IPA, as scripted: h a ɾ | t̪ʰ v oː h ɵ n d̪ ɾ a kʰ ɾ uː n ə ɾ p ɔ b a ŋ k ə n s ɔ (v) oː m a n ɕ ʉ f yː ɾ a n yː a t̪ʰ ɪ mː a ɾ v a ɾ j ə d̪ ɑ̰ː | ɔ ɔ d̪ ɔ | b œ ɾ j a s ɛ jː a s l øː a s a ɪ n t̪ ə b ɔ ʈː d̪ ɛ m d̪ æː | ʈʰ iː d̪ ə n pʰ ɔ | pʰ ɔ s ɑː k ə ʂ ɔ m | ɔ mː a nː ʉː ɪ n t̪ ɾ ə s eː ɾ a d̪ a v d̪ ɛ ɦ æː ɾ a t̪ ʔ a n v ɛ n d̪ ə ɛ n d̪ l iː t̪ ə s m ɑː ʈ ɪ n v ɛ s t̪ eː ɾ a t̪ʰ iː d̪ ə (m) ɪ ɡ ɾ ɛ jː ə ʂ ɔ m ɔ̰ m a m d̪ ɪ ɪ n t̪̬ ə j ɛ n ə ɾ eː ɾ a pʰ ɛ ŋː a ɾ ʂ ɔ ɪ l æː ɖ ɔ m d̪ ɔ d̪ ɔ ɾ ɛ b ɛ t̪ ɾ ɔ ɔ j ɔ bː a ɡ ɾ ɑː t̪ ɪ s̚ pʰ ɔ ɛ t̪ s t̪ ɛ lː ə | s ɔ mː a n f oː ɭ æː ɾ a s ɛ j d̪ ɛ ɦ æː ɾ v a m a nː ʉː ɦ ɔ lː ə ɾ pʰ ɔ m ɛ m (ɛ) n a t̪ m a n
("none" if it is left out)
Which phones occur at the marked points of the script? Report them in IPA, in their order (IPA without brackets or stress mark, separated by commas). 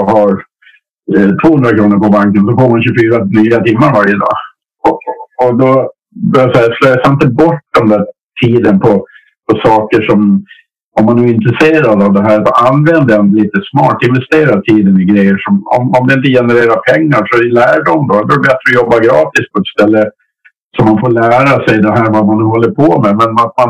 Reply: f, n, ɛ